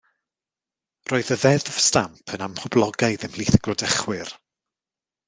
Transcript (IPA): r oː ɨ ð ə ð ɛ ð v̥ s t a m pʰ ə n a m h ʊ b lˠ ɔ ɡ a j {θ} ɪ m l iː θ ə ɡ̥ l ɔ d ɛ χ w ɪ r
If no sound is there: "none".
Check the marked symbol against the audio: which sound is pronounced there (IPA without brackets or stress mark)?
ð